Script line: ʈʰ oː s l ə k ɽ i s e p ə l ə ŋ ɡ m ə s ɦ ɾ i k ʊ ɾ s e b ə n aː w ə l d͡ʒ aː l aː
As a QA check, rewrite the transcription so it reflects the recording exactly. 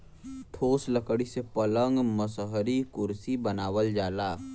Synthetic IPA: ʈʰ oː s l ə k ɽ i s e p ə l ə ŋ ɡ m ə s ɦ ɾ i k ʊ ɾ s i b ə n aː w ə l d͡ʒ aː l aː